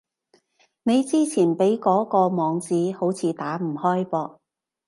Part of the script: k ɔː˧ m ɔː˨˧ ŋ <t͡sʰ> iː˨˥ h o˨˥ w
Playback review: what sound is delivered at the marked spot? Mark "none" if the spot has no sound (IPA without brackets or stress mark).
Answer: t͡s